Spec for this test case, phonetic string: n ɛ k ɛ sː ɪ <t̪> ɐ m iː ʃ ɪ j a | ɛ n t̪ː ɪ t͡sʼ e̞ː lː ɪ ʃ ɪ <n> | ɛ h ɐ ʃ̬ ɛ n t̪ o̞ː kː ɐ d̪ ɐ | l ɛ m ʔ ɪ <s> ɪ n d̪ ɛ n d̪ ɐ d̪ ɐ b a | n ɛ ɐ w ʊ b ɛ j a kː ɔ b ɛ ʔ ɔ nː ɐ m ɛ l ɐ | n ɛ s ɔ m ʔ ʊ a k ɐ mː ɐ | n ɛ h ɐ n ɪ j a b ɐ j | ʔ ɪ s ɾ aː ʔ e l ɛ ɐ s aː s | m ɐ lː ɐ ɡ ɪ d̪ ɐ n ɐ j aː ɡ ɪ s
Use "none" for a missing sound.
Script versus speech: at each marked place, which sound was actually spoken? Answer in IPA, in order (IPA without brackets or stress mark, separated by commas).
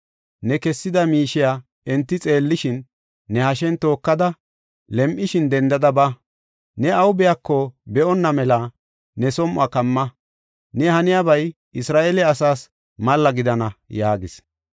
d̪, nː, ʃ